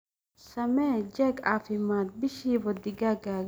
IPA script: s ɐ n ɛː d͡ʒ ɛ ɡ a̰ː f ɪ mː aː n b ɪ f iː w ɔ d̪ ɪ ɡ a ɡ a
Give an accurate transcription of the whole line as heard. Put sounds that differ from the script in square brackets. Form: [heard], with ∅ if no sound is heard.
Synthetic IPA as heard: s ɐ [m] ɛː d͡ʒ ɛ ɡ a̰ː f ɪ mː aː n b ɪ [ʃ] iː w ɔ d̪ ɪ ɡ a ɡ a